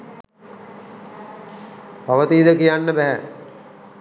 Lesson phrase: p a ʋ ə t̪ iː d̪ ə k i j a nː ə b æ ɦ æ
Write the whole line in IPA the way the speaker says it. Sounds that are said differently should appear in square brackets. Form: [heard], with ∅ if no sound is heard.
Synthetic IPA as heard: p a ʋ ə t̪ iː d̪ ə k i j a nː ə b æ ɦ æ